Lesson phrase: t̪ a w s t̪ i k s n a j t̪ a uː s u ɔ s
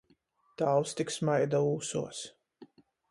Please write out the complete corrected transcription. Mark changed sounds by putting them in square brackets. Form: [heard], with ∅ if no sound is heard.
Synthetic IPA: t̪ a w s t̪ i k s [m] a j [d̪] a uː s u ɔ s